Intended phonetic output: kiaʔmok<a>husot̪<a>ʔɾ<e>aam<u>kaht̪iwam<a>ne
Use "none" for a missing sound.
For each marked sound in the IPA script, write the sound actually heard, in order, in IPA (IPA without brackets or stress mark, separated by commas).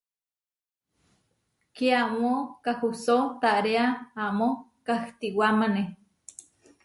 a, a, e, o, a